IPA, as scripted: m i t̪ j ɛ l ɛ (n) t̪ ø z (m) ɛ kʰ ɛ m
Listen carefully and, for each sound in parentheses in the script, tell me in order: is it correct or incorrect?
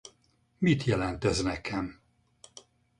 correct, incorrect

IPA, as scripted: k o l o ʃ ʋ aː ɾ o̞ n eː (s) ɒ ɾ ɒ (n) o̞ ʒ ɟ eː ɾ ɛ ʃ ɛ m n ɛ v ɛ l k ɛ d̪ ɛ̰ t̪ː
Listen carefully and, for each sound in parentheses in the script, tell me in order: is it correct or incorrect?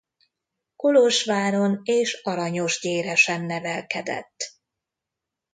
incorrect, incorrect

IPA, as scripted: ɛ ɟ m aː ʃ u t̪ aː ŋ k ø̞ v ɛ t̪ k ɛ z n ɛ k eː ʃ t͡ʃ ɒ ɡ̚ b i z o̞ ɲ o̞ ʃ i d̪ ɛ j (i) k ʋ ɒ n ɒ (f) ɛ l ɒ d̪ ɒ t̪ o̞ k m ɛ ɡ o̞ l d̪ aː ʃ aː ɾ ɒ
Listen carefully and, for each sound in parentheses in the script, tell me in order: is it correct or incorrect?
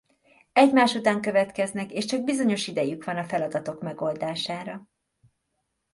incorrect, correct

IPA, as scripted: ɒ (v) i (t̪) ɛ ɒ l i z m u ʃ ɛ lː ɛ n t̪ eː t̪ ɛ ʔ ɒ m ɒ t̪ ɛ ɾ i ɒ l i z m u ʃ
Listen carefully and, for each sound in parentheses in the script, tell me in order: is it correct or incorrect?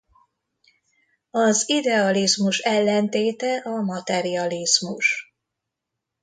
incorrect, incorrect

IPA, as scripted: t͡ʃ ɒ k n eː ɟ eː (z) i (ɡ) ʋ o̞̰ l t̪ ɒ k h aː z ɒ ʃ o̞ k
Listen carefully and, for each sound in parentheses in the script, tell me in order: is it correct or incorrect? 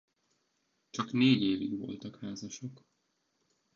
incorrect, correct

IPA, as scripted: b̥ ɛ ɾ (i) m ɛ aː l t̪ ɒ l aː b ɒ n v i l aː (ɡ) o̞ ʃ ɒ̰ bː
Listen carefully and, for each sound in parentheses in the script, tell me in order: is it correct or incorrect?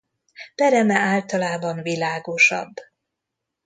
incorrect, correct

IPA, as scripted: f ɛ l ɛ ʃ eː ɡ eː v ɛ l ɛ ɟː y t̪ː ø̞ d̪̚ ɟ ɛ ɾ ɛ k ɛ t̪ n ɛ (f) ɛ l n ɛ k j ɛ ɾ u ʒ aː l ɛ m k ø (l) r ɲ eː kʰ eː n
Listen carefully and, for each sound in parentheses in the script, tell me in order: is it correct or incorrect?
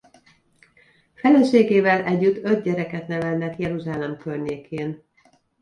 incorrect, incorrect

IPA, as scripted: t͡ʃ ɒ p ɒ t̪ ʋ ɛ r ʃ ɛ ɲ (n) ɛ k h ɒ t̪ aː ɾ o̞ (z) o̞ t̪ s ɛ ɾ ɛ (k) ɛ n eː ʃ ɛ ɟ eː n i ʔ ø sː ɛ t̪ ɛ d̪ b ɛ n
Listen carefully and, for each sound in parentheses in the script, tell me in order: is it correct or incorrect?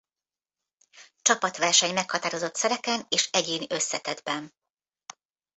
incorrect, correct, correct

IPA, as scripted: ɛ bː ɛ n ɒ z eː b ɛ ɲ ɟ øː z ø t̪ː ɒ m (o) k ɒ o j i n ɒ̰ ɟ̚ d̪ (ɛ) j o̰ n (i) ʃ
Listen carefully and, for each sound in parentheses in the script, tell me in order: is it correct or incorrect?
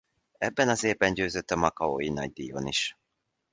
incorrect, incorrect, correct

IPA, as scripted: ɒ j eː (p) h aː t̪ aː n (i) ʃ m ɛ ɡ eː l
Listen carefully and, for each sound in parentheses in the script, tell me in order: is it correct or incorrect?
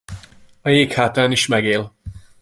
incorrect, correct

